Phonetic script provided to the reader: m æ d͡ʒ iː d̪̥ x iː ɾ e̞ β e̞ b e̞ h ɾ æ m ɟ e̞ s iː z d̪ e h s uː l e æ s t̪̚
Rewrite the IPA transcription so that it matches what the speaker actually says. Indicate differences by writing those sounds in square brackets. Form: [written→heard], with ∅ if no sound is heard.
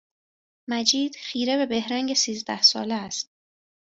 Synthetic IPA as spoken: m æ d͡ʒ iː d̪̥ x iː ɾ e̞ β e̞ b e̞ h ɾ æ [m→ŋ] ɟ e̞ s iː z d̪ [e→æ] h s [uː→ɒː] l e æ s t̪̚